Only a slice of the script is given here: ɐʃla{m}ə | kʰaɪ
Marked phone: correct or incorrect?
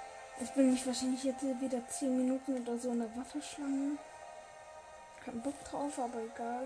incorrect